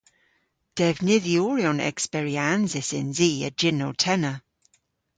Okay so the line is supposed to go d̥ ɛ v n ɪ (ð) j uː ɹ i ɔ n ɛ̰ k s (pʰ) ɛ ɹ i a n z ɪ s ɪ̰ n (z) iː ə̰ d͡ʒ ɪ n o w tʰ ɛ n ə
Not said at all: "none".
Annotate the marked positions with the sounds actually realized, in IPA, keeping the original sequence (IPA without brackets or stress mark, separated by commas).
ð, p, z